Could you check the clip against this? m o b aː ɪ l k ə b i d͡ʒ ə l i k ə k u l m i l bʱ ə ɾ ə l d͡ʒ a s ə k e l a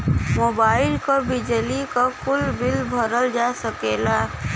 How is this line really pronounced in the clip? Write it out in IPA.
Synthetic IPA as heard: m o b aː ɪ l k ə b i d͡ʒ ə l i k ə k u l b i l bʱ ə ɾ ə l d͡ʒ a s ə k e l a